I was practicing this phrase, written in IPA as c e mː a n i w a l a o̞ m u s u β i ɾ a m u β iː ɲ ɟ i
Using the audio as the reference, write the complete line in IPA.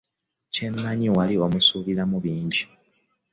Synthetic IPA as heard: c e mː a ɲ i w a l i o̞ m u s u β i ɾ a m u β iː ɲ ɟ i